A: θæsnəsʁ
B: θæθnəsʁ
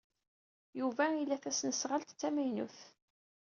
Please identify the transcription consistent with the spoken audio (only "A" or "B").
A